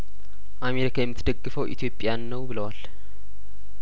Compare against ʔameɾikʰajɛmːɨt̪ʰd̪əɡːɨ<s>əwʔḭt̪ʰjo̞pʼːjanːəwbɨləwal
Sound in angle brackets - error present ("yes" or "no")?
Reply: yes